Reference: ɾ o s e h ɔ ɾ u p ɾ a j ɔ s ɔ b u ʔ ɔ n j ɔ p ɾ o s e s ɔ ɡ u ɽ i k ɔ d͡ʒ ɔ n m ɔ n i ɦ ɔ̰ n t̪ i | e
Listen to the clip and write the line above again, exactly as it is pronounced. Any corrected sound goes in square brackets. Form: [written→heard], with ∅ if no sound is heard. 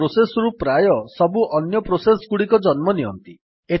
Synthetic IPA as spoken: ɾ o s e [h→s] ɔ ɾ u p ɾ a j ɔ s ɔ b u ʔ ɔ n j ɔ p ɾ o s e s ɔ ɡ u ɽ i k ɔ d͡ʒ ɔ n m ɔ n i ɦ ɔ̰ n t̪ i | e